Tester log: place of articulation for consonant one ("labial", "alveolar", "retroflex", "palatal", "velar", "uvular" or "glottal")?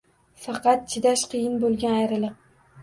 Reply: labial